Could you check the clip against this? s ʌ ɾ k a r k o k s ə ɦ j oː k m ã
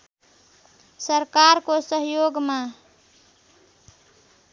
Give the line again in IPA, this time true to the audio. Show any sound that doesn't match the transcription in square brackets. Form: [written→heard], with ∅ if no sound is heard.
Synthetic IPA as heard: s [ʌ→ə] ɾ k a [r→ɾ] k o [k→∅] s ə ɦ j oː [k→ɡ] m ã